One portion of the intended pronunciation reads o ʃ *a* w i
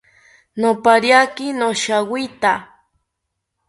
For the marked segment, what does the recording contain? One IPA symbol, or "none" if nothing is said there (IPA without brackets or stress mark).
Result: a